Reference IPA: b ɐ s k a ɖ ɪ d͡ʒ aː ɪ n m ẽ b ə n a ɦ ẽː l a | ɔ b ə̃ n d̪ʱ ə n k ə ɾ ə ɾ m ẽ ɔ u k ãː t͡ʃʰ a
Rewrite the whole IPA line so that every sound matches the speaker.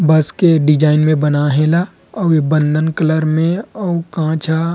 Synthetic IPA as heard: b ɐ s k e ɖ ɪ d͡ʒ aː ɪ n m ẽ b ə n a ɦ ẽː l a | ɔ b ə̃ n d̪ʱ ə n k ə l ə ɾ m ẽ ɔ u k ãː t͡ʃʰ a